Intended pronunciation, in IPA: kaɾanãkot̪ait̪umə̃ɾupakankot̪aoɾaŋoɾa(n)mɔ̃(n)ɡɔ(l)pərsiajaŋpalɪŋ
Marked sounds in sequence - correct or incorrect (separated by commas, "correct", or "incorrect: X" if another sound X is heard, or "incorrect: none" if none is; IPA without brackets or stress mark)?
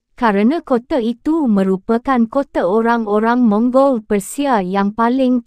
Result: incorrect: ŋ, incorrect: ŋ, correct